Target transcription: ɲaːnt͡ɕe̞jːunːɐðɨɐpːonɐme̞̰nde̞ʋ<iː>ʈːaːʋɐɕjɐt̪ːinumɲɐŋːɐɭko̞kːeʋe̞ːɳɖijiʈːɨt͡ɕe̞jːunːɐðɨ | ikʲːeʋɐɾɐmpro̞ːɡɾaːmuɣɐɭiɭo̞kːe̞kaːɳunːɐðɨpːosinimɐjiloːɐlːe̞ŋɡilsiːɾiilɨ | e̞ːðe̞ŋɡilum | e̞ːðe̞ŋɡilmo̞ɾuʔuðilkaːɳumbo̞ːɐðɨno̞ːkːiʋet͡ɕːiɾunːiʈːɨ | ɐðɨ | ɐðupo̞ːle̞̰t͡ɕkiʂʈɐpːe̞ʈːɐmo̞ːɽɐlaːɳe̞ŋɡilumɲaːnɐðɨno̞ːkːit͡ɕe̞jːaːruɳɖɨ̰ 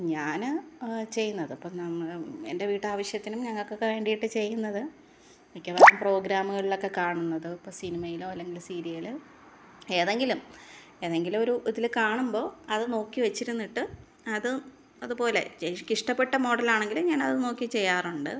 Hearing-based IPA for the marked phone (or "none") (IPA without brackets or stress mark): iː